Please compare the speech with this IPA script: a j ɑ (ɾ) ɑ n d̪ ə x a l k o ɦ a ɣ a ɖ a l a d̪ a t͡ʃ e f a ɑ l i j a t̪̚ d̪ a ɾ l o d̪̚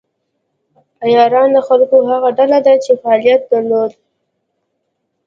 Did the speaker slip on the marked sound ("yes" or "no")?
no